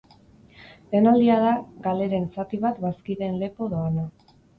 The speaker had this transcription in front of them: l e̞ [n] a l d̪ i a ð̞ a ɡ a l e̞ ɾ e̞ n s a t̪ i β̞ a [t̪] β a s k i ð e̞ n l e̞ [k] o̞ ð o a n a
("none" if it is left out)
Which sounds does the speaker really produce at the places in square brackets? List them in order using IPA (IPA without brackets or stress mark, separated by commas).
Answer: n, t̪, p